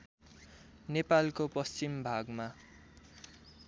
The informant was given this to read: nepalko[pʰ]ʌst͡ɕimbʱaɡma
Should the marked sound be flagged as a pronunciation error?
yes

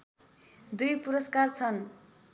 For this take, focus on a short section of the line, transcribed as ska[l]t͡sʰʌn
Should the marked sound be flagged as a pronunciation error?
yes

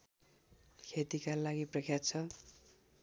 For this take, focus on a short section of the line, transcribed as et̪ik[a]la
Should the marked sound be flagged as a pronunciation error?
no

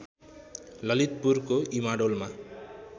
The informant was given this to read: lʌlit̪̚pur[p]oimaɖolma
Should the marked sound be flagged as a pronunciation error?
yes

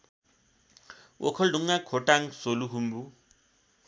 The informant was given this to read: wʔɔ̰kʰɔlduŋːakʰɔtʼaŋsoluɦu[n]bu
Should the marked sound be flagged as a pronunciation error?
yes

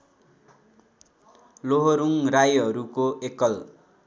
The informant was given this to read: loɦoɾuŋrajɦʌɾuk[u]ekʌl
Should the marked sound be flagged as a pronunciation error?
yes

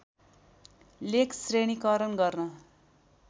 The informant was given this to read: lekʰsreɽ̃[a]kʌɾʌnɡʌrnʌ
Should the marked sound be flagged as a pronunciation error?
yes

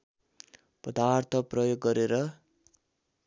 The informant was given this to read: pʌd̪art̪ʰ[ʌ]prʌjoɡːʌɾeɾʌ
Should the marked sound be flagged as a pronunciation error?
no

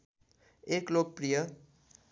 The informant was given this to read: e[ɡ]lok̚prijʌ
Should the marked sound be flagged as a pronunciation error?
yes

